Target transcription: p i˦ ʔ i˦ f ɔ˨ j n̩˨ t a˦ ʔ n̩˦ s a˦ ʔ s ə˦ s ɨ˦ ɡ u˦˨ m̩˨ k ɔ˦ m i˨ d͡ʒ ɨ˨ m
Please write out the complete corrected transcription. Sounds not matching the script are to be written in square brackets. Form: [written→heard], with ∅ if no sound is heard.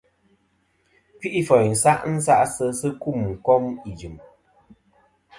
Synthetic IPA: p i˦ ʔ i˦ f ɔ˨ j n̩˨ [t→s] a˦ ʔ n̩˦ s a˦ ʔ s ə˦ s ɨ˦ [ɡ→k] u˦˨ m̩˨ k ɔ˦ m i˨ d͡ʒ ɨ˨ m